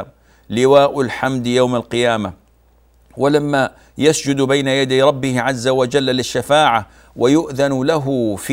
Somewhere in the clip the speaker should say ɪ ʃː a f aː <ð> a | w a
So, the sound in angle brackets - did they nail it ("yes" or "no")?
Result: no